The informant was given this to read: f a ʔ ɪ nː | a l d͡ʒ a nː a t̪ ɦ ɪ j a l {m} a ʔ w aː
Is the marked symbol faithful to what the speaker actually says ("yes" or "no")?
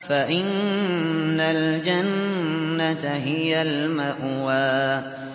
yes